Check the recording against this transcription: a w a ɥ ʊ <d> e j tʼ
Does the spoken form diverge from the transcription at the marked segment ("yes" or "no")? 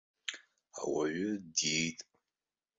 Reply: no